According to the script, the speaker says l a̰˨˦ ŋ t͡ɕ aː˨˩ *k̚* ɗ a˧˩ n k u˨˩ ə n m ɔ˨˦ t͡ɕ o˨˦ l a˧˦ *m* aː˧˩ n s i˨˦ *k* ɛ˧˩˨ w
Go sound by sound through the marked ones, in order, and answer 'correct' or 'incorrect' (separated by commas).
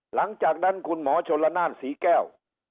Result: correct, incorrect, correct